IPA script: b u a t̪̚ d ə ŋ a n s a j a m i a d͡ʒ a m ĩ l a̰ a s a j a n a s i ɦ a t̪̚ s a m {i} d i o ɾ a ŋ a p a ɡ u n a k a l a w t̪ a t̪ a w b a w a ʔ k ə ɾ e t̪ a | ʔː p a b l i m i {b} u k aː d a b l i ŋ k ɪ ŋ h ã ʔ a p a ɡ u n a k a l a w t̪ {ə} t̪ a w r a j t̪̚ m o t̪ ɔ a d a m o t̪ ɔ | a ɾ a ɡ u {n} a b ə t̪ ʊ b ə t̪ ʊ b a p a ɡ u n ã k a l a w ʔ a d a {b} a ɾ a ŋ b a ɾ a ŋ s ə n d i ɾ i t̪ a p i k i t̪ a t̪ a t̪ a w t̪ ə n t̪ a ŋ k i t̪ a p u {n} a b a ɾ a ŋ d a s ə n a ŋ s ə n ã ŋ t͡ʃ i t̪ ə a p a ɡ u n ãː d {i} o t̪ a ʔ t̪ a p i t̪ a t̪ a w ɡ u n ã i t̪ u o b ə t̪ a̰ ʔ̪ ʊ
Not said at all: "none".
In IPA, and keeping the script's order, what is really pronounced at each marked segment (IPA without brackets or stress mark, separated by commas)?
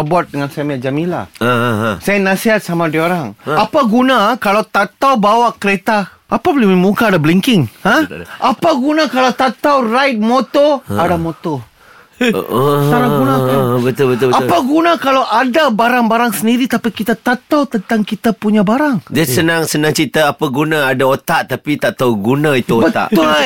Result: a, m, a, n, b, ɲ, a